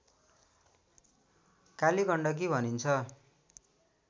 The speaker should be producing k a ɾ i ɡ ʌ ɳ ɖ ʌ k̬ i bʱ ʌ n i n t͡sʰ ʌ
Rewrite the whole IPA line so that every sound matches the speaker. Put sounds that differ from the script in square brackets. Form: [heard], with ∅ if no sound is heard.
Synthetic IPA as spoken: k a [l] i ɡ ʌ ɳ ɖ ʌ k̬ i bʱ ʌ n i n t͡sʰ ʌ